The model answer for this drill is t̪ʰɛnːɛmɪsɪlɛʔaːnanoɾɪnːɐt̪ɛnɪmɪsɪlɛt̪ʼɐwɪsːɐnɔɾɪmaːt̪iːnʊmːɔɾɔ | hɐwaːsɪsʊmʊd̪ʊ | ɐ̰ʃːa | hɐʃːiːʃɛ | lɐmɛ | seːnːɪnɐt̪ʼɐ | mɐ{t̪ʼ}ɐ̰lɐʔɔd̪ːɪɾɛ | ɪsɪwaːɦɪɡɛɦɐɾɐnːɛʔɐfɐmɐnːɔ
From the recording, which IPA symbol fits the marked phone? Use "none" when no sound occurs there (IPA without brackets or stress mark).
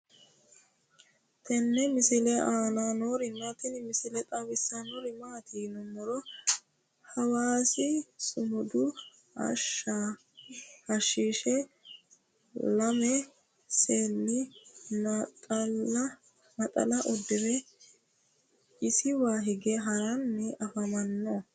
t̪ʼ